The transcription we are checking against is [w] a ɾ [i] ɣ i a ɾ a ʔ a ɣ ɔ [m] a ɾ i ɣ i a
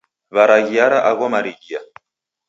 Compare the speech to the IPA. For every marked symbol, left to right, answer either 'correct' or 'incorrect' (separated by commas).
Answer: incorrect, incorrect, correct